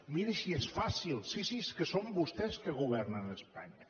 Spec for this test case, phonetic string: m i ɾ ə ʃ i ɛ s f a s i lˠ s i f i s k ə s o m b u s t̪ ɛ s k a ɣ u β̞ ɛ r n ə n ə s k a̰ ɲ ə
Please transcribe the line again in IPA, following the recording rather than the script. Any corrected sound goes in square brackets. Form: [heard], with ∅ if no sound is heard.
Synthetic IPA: m i ɾ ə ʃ i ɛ s f a s i lˠ s i [s] i s k ə s o m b u s t̪ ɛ s k [ə] ɣ u β̞ ɛ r n ə n ə s [p] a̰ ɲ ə